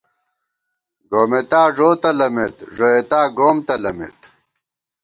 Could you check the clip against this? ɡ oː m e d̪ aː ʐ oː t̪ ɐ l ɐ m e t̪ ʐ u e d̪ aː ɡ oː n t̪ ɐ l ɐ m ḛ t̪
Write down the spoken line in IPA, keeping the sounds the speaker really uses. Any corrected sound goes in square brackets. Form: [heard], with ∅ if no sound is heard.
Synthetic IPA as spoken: ɡ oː m e [t̪] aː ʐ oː t̪ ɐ l ɐ m e t̪ ʐ [o] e [t̪] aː ɡ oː [m] t̪ ɐ l ɐ m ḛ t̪